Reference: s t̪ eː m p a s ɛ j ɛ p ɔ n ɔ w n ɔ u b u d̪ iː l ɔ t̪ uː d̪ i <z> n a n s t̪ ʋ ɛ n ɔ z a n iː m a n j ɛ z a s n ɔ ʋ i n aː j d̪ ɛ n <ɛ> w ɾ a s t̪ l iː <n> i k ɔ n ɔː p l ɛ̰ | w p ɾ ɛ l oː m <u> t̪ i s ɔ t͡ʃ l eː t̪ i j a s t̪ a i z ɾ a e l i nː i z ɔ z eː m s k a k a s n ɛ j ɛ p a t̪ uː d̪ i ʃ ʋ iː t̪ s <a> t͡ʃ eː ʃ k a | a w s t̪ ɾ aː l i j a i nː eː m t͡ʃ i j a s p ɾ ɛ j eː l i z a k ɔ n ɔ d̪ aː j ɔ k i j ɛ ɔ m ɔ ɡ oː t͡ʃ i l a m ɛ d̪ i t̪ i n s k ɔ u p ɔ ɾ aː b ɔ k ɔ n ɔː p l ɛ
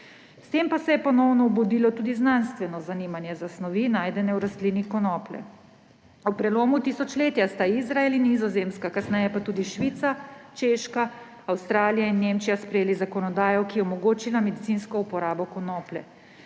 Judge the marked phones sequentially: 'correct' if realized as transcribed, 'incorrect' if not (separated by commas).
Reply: correct, correct, correct, correct, correct